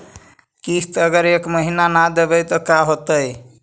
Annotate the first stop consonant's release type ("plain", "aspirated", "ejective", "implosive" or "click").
plain